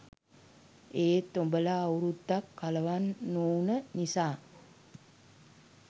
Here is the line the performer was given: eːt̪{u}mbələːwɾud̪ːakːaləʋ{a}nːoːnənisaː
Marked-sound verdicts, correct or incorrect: incorrect: o, correct

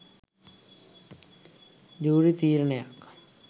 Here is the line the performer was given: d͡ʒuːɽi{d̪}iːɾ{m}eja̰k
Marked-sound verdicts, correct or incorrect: incorrect: t̪, incorrect: n

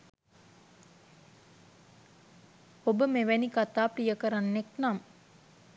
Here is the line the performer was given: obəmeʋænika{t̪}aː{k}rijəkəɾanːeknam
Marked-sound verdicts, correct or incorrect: correct, incorrect: p

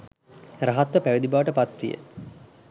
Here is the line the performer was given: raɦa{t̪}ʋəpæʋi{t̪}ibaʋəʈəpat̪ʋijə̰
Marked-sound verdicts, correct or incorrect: correct, incorrect: d̪

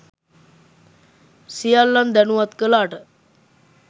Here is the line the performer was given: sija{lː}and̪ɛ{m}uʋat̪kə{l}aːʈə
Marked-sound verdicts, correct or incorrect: correct, incorrect: n, correct

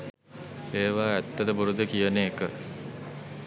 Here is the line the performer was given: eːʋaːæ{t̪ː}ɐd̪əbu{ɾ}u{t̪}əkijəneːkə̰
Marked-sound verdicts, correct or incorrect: correct, correct, incorrect: d̪

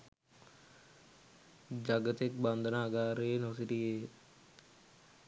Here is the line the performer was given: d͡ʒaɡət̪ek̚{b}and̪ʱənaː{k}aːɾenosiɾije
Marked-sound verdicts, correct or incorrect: correct, incorrect: ɡ

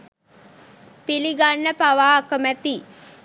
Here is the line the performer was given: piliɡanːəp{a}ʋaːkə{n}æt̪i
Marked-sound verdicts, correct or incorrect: correct, incorrect: m

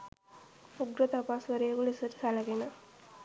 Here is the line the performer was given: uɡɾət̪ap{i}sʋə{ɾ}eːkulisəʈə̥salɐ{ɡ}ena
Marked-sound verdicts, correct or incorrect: incorrect: a, correct, correct

